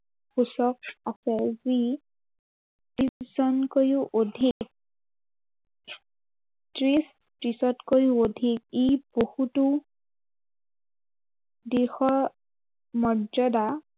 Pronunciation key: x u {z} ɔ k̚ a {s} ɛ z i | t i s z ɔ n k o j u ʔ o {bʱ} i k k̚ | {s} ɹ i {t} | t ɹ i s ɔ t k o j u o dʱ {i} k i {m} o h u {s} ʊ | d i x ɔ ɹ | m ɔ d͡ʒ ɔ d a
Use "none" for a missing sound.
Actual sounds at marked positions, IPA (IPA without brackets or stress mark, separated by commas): s, s, dʱ, t, s, i, b, t